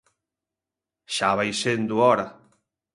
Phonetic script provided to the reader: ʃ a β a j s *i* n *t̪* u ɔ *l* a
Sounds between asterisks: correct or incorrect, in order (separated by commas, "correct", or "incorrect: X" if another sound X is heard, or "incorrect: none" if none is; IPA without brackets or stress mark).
incorrect: e, incorrect: d̪, incorrect: ɾ